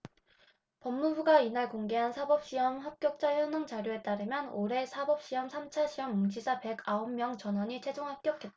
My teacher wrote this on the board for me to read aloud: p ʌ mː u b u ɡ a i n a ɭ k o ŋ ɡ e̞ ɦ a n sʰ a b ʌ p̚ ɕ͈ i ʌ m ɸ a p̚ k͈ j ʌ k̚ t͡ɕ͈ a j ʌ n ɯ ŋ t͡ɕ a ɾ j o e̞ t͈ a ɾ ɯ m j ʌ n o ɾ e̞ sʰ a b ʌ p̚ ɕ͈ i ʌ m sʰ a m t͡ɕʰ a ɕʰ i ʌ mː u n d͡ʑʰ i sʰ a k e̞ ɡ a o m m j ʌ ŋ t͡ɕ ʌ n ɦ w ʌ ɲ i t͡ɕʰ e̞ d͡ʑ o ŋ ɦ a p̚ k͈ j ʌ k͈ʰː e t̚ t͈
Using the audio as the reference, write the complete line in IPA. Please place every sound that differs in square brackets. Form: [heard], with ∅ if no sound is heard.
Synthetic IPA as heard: p ʌ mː u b u ɡ a i n a ɭ k o ŋ ɡ e̞ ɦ a n sʰ a b ʌ p̚ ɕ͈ i ʌ m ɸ a p̚ k͈ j ʌ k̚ t͡ɕ͈ a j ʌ n ɯ ŋ t͡ɕ a ɾ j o e̞ t͈ a ɾ ɯ m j ʌ n o ɾ e̞ sʰ a b ʌ p̚ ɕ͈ i ʌ m sʰ a m t͡ɕʰ a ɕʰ i ʌ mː u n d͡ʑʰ i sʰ a [p] e̞ ɡ a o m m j ʌ ŋ t͡ɕ ʌ n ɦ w ʌ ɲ i t͡ɕʰ e̞ d͡ʑ o ŋ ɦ a p̚ k͈ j ʌ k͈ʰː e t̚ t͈